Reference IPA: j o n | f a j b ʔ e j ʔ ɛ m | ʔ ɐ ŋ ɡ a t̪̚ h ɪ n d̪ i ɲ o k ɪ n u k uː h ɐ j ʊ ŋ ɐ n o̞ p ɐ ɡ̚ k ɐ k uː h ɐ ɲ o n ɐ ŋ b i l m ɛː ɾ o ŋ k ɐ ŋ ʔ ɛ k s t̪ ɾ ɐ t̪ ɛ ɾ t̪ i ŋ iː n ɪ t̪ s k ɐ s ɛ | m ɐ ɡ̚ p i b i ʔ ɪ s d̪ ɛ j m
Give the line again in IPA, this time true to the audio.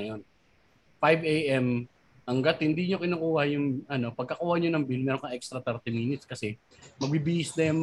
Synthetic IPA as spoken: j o n | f a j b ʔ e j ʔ ɛ m | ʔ ɐ ŋ ɡ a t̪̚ h ɪ n d̪ i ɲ o k ɪ n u k uː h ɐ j ʊ ŋ ɐ n o̞ p ɐ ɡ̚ k ɐ k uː h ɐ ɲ o n ɐ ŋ b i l m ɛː ɾ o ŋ k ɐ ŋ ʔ ɛ k s t̪ ɾ ɐ t̪ ɛ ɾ t̪ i m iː n ɪ t̪ s k ɐ s ɛ | m ɐ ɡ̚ b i b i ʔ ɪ s d̪ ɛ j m